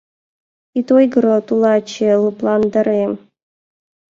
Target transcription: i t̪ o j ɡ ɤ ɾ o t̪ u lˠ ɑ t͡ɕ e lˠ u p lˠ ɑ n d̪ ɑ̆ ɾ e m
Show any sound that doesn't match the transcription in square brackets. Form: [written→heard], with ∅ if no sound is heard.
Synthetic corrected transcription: i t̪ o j ɡ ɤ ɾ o t̪ u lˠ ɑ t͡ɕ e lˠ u p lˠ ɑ n d̪ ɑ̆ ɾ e m

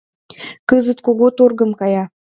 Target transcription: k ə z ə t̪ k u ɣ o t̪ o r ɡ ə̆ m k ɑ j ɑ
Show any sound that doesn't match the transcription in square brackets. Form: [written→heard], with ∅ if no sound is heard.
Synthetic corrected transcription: k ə z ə t̪ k [u→o] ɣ o t̪ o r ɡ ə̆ m k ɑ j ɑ

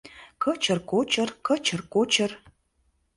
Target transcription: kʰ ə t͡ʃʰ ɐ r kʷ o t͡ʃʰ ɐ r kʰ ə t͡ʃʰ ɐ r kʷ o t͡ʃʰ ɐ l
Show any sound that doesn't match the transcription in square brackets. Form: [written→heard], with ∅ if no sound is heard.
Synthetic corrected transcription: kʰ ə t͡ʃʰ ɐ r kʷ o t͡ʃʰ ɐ r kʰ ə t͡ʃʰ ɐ r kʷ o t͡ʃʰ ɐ [l→r]

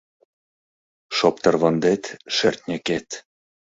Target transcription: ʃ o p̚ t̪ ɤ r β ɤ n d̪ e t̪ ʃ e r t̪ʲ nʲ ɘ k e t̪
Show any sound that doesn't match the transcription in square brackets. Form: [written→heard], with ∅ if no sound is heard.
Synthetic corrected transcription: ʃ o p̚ t̪ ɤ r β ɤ n d̪ e t̪ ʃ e r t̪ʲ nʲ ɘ k e t̪

